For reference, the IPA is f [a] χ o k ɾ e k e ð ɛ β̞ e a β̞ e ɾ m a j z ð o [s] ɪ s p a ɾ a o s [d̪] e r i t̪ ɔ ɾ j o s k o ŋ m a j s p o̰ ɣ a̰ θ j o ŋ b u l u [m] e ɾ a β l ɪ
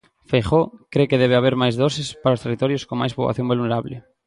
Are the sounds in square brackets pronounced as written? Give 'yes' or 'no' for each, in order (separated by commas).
no, yes, no, no